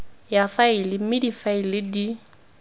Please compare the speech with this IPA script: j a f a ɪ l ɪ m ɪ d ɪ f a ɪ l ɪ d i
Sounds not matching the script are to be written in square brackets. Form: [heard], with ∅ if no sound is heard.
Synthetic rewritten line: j a f a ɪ l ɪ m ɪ d [i] f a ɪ l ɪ d i